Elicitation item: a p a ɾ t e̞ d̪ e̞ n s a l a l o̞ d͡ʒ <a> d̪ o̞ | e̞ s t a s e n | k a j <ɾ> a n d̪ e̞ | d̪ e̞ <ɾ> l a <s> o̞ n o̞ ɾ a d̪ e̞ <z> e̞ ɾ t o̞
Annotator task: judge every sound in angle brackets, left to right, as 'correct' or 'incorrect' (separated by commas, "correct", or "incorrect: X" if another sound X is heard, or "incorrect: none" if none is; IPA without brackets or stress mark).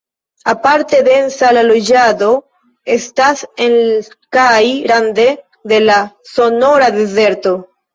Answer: correct, correct, incorrect: none, correct, correct